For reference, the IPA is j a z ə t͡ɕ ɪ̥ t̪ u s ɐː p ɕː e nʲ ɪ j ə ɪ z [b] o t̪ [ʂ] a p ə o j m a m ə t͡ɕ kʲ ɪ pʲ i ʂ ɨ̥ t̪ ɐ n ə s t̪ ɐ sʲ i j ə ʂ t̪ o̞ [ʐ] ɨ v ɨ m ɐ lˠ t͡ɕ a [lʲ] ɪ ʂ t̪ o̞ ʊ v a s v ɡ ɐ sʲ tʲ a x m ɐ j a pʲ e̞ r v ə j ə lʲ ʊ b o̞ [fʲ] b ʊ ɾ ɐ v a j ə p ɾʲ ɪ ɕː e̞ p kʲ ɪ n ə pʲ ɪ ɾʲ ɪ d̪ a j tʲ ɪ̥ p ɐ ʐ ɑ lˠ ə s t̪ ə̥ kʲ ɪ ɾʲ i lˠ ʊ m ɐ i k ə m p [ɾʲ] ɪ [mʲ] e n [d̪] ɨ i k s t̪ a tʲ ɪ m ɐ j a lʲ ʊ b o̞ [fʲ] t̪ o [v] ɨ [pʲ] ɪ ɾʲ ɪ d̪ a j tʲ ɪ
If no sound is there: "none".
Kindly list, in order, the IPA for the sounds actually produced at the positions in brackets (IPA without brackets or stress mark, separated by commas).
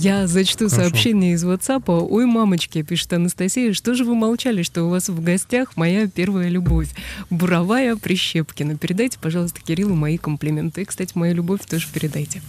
v, s, ʐ, lʲ, fʲ, lʲ, mʲ, t̪, fʲ, ʐ, pʲ